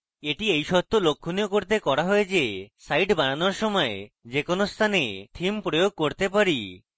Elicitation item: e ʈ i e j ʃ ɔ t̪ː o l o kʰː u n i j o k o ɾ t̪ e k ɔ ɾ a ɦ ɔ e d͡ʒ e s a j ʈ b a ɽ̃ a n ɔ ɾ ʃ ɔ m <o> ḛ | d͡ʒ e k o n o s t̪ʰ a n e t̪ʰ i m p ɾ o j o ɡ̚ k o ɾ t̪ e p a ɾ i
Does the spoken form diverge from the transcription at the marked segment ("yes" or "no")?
yes